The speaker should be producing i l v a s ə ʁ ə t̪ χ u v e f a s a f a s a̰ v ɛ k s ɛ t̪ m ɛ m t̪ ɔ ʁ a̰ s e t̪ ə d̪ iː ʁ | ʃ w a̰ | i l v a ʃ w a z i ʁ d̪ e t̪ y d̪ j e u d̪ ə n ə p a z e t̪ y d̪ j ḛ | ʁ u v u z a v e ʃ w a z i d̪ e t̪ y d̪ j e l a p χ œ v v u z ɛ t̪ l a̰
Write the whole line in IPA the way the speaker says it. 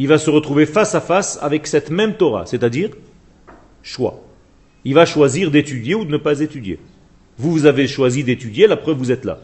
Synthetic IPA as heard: i l v a s ə ʁ ə t̪ χ u v e f a s a f a s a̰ v ɛ k s ɛ t̪ m ɛ m t̪ ɔ ʁ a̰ s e t̪ a d̪ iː ʁ | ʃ w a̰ | i l v a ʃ w a z i ʁ d̪ e t̪ y d̪ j e u d̪ ə n ə p a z e t̪ y d̪ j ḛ | v u v u z a v e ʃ w a z i d̪ e t̪ y d̪ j e l a p χ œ v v u z ɛ t̪ l a̰